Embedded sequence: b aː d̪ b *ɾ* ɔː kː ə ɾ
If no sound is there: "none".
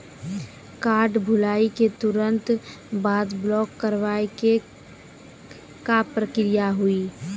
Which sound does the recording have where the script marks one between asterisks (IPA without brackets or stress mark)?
l